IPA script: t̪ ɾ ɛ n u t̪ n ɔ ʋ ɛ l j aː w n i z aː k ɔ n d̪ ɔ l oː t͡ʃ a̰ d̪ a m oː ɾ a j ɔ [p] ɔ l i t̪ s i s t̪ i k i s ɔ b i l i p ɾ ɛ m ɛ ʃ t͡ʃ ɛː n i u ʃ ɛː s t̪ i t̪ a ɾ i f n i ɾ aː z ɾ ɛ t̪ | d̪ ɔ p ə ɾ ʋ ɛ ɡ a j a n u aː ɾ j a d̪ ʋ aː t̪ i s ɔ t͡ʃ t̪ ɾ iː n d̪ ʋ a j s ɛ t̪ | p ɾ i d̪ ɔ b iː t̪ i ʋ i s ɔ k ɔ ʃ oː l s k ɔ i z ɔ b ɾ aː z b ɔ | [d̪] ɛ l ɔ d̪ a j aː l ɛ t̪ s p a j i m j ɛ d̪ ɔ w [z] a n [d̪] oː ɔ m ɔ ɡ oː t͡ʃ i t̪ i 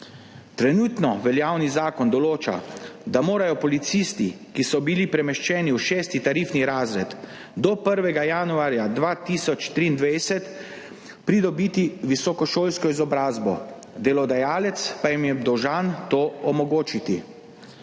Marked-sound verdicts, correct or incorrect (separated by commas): correct, correct, incorrect, incorrect